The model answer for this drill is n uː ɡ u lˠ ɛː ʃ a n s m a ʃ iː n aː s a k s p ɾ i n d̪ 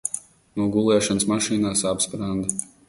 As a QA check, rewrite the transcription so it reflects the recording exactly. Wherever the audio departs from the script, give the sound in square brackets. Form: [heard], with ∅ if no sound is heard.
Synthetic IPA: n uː ɡ u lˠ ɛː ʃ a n s m a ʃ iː n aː s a [p] s p ɾ [a] n d̪